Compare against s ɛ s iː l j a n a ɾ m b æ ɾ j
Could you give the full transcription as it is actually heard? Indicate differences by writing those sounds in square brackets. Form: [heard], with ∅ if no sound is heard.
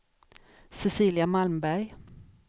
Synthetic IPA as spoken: s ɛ s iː l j a [m] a [l] m b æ ɾ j

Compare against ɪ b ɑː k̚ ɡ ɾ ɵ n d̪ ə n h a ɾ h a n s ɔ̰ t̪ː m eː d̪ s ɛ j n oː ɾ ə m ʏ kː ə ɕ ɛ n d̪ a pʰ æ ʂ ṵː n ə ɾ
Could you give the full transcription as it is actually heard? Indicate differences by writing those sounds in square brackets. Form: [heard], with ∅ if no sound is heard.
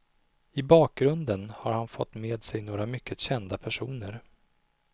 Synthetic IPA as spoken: ɪ b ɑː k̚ ɡ ɾ ɵ n d̪ ə n h a ɾ h a n [f] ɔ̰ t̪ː m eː d̪ s ɛ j n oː ɾ [a] m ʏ kː ə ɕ ɛ n d̪ a pʰ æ ʂ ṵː n ə ɾ

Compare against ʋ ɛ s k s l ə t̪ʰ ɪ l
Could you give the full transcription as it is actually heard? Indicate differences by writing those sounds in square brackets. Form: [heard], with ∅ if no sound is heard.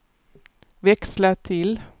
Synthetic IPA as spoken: ʋ ɛ [∅] k s l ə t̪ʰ ɪ l

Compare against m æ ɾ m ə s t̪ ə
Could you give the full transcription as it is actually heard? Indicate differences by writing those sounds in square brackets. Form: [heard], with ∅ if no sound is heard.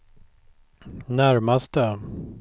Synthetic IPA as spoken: [n] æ ɾ m [a] s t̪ ə

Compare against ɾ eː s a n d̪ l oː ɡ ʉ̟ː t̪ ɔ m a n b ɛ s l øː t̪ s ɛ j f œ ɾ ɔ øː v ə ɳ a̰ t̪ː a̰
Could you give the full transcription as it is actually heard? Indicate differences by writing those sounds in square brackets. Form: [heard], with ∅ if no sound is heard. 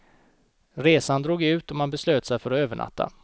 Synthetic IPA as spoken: ɾ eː s a n d̪ [ɾ] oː ɡ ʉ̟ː t̪ ɔ m a n b ɛ s l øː t̪ s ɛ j f œ ɾ ɔ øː v ə ɳ a̰ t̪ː a̰

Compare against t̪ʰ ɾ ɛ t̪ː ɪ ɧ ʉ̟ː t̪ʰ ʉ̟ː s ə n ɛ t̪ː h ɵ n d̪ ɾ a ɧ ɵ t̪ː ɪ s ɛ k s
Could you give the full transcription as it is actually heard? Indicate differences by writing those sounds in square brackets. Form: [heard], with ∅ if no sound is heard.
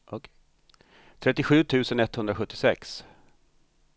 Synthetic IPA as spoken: t̪ʰ ɾ ɛ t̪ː ɪ ɧ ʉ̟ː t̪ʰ ʉ̟ː s ə n ɛ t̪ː h ɵ n d̪ ɾ a ɧ ɵ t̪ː ɪ s ɛ k s

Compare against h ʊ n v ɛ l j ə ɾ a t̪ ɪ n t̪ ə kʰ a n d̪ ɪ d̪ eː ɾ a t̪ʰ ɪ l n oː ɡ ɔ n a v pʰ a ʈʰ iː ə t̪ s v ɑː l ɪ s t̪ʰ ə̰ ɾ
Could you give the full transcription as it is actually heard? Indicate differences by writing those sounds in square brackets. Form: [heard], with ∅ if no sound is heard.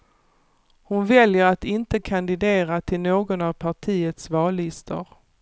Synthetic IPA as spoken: h ʊ n v ɛ l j ə ɾ a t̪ ɪ n t̪ ə kʰ a n d̪ ɪ d̪ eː ɾ a t̪ʰ ɪ l n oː ɡ ɔ n a v pʰ a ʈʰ iː ə t̪ s v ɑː l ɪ s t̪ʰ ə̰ ɾ

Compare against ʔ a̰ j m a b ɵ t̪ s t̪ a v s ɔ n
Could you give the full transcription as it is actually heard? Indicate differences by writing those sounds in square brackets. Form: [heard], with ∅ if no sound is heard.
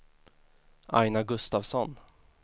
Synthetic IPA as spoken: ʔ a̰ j [n] a [ɡ] ɵ [∅] s t̪ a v s ɔ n

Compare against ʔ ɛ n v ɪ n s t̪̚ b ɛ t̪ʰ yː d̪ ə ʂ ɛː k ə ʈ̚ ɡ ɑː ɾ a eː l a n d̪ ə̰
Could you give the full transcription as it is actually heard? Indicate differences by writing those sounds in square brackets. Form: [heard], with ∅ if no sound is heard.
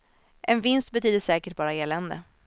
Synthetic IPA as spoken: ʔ ɛ n v ɪ n s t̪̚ b ɛ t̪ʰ yː d̪ ə ʂ ɛː k ə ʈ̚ [b] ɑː ɾ a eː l [ɛ] n d̪ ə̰

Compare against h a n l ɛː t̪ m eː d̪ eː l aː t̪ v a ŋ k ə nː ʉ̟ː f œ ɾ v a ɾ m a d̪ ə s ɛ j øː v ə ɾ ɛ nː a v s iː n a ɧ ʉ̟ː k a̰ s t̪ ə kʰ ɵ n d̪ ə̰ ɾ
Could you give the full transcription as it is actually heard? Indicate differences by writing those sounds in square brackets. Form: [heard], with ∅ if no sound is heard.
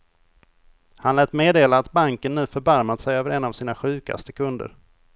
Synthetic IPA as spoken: h a n l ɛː t̪ m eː d̪ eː l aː t̪ [b] a ŋ k ə nː ʉ̟ː f œ ɾ [b] a ɾ m a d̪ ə s ɛ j øː v ə ɾ ɛ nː a v s iː n a ɧ ʉ̟ː k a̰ s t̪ ə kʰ ɵ n d̪ ə̰ ɾ

